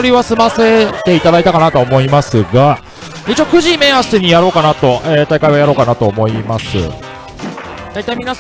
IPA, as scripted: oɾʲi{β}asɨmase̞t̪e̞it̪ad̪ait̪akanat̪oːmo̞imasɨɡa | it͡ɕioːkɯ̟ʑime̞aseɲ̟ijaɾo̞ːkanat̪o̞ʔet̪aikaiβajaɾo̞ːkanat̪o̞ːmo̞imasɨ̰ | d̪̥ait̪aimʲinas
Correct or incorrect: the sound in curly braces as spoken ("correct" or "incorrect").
correct